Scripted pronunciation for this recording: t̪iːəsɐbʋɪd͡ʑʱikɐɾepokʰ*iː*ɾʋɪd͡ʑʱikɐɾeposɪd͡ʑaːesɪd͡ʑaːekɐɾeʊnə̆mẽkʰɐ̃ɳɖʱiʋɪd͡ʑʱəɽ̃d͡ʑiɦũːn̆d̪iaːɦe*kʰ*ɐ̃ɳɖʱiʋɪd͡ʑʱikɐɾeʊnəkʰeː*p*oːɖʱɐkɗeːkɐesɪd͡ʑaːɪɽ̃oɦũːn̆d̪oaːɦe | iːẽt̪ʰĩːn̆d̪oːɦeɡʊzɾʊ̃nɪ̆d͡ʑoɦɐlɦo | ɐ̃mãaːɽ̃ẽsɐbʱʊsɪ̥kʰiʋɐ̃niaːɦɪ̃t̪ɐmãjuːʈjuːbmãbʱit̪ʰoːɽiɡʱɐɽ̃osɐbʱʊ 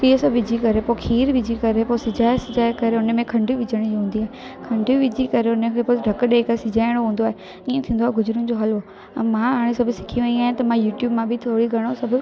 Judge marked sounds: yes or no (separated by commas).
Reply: yes, yes, yes